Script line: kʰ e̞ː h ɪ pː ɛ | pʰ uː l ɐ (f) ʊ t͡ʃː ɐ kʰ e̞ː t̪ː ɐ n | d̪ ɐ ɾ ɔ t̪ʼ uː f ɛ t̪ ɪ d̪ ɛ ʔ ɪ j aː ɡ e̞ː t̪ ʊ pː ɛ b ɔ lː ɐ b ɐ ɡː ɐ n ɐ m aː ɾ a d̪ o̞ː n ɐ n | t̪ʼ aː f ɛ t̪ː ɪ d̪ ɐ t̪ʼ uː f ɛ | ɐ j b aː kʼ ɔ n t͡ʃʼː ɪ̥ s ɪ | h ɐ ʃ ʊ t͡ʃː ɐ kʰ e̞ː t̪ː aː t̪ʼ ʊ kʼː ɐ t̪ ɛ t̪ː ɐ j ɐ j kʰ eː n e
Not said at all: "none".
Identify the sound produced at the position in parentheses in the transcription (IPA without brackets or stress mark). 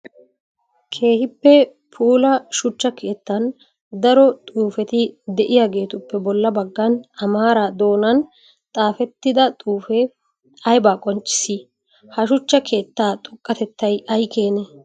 ʃ